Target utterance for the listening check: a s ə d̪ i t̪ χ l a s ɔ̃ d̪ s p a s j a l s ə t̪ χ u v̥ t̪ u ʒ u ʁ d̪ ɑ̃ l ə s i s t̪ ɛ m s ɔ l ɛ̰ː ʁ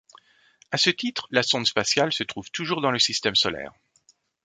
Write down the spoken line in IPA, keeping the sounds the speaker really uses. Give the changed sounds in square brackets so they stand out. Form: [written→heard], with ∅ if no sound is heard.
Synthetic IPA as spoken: a s ə [d̪→t̪] i t̪ χ l a s ɔ̃ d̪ s p a s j a l s ə t̪ χ u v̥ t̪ u ʒ u ʁ d̪ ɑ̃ l ə s i s t̪ ɛ m s ɔ l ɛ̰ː ʁ